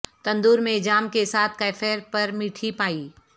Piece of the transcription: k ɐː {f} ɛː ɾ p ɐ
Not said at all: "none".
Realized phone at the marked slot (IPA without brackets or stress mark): f